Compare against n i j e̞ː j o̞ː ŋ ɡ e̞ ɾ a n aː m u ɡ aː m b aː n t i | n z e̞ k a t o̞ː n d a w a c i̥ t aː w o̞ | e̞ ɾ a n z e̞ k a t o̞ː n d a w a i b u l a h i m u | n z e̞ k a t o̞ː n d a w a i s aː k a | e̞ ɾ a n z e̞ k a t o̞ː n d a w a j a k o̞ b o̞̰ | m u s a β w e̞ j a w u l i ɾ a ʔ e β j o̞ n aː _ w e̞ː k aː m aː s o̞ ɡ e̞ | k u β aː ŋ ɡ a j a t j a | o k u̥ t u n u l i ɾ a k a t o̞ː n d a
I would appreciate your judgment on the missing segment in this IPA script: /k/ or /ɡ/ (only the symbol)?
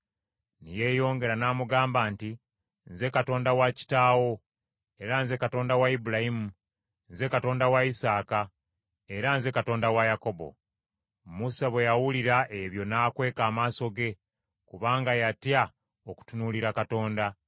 k